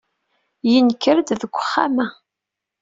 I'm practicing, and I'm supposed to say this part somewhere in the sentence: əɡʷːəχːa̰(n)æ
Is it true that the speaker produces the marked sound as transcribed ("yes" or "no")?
no